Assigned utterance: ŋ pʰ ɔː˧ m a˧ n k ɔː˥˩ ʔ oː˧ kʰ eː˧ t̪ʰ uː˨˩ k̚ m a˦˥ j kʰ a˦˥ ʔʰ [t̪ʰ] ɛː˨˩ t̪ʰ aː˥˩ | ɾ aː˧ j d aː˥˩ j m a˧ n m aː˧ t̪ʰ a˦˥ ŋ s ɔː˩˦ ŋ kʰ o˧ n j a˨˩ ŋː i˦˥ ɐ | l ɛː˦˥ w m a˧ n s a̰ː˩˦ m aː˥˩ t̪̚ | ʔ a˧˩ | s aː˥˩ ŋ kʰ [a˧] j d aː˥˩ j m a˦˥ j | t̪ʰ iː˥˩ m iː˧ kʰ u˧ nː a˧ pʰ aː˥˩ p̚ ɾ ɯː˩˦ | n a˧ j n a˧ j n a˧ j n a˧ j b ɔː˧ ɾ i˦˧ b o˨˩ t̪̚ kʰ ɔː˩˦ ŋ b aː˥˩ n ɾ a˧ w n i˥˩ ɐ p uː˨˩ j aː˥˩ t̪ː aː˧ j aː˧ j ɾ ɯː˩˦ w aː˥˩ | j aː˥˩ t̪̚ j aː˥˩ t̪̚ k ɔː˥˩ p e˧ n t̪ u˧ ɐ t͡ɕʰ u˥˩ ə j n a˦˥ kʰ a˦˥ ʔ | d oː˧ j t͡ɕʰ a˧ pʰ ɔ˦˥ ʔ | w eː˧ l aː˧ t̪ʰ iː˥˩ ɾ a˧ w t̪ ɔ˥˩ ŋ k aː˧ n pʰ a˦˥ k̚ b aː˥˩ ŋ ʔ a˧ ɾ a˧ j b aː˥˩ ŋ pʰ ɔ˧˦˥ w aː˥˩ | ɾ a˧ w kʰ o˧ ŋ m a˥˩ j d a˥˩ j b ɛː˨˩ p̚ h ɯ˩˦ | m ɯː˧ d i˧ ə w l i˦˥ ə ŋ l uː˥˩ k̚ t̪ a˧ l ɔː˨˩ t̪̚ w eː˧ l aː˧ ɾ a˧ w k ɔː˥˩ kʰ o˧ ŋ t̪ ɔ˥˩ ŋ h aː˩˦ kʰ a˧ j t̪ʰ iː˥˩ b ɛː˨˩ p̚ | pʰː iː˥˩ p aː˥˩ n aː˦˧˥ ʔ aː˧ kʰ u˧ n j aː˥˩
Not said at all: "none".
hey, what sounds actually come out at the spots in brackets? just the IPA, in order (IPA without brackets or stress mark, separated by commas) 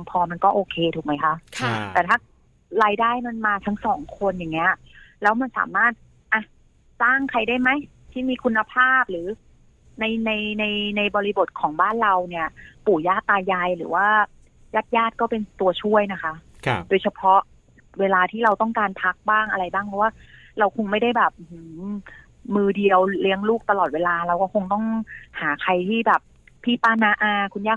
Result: t̪, a˧